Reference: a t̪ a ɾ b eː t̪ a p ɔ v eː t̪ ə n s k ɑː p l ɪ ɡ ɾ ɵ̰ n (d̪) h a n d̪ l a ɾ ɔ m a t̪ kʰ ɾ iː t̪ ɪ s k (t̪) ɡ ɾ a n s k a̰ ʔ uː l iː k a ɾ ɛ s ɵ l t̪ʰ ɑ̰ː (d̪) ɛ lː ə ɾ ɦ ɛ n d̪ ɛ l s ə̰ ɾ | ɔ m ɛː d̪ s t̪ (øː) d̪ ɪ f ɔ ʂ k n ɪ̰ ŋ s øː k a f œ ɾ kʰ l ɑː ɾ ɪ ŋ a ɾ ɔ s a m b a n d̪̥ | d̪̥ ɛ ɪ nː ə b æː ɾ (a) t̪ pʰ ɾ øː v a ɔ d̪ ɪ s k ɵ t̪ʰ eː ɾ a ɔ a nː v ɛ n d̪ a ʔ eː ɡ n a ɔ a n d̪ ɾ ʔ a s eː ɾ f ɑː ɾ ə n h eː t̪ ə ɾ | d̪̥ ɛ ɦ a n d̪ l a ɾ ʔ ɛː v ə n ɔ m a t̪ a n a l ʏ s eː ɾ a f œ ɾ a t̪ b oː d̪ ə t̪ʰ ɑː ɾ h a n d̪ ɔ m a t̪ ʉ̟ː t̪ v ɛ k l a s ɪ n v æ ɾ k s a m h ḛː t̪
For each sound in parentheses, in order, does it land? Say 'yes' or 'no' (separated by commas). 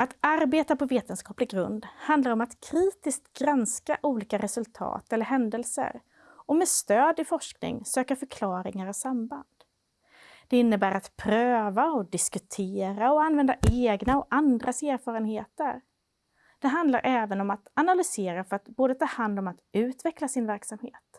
yes, yes, no, yes, yes